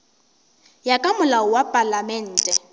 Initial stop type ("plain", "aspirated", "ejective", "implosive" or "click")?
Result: ejective